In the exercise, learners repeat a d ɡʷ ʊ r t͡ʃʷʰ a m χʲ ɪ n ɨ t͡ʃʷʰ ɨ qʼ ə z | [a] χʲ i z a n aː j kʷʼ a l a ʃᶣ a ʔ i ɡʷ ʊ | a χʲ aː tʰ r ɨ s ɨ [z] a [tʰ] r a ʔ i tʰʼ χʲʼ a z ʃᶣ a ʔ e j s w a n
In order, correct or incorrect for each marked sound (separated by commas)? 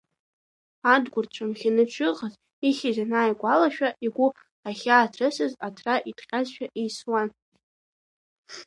incorrect, correct, correct